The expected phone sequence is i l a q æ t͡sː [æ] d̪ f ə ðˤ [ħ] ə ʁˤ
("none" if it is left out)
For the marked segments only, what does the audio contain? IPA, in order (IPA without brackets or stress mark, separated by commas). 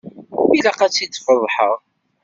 i, ħ